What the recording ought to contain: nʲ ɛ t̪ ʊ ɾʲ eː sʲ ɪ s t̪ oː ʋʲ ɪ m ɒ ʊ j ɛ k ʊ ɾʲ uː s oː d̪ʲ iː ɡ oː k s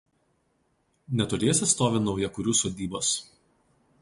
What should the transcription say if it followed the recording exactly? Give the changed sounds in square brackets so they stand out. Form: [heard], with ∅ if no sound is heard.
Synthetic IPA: nʲ ɛ t̪ ʊ ɾʲ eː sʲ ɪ s t̪ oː ʋʲ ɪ [n] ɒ ʊ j ɛ k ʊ ɾʲ uː s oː d̪ʲ iː [b] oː [∅] s